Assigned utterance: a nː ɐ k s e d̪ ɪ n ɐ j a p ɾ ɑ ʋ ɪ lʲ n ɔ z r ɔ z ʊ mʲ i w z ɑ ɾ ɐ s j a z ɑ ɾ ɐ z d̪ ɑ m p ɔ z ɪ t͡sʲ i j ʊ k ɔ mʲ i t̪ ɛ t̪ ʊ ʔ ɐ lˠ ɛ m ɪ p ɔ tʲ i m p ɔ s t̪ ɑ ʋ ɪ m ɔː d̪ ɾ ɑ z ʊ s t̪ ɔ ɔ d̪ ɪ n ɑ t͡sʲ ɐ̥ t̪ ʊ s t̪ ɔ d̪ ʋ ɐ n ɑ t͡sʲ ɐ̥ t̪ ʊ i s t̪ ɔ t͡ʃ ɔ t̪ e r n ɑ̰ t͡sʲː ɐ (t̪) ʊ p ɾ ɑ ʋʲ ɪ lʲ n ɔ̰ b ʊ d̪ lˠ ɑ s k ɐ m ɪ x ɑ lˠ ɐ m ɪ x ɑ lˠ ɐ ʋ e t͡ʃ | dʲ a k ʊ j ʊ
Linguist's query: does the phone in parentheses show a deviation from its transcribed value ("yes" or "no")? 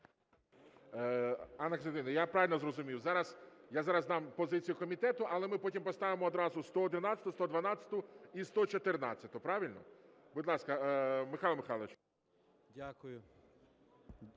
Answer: no